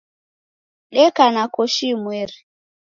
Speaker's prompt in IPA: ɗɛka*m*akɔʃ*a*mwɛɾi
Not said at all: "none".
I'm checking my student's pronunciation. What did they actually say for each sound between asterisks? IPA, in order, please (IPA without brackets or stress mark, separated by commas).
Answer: n, i